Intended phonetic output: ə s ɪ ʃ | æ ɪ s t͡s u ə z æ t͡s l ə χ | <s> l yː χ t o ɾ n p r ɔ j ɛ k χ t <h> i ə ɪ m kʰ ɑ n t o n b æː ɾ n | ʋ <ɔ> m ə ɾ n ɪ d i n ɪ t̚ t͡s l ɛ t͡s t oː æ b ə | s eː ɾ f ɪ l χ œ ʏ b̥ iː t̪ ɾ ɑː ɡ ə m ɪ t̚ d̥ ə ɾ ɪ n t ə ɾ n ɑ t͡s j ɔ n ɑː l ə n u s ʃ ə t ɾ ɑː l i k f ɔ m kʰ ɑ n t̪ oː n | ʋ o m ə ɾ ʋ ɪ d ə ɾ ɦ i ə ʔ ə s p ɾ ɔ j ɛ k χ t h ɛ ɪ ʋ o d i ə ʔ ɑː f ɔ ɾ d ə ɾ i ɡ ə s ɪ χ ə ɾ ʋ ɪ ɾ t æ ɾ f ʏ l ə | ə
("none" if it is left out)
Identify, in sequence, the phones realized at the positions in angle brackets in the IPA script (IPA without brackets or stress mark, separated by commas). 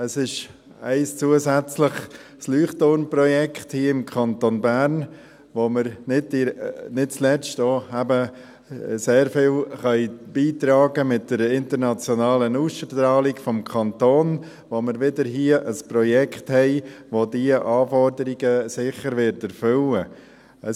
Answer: s, h, o